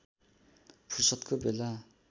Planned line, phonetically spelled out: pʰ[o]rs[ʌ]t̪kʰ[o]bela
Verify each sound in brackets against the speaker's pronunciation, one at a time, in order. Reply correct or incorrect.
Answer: incorrect: u, correct, correct

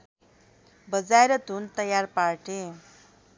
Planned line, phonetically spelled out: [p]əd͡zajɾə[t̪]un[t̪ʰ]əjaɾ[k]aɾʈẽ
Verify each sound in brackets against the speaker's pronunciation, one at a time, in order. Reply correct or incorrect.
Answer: incorrect: b, correct, incorrect: t̪, incorrect: p

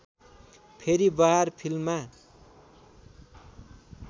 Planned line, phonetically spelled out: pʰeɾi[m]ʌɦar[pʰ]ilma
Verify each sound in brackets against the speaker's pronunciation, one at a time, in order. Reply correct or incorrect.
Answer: incorrect: b, correct

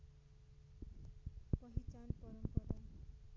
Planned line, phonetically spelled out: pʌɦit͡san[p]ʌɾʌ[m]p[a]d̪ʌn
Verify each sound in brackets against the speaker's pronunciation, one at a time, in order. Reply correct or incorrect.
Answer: correct, correct, incorrect: ʌ

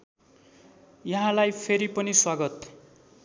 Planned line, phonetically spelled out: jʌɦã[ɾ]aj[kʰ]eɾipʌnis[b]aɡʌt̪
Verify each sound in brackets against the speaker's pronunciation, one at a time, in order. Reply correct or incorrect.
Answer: incorrect: l, incorrect: pʰ, incorrect: w

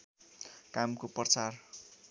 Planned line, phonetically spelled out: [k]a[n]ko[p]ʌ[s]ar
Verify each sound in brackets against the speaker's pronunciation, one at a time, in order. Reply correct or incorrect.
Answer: correct, incorrect: m, correct, incorrect: t͡s

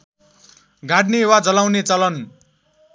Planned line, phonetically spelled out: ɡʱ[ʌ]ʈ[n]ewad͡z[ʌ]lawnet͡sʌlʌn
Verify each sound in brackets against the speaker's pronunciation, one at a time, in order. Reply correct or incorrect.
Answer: incorrect: a, correct, correct

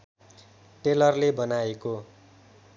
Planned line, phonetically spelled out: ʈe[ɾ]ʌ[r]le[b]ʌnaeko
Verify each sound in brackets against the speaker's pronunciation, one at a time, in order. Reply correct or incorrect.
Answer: incorrect: l, correct, correct

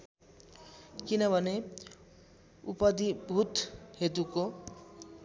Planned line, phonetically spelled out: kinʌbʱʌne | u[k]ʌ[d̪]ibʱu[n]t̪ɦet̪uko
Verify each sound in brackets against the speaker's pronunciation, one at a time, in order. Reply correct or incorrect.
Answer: incorrect: p, correct, incorrect: none

